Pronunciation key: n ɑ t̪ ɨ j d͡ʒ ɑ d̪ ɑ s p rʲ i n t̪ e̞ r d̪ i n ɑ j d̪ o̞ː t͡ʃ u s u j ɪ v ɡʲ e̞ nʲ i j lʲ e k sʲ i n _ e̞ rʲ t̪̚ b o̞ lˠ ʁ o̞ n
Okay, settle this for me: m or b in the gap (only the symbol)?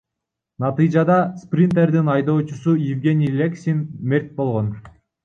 m